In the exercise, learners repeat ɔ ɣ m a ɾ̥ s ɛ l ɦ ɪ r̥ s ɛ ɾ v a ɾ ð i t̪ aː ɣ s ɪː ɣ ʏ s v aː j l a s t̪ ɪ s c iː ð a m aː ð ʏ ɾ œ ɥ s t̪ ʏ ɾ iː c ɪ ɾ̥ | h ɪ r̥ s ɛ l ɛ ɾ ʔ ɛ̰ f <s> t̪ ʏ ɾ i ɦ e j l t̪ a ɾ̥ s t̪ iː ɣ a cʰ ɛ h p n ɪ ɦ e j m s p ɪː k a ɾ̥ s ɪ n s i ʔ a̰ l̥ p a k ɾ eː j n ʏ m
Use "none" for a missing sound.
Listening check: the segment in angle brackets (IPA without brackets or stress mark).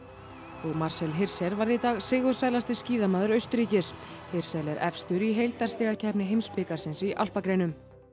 s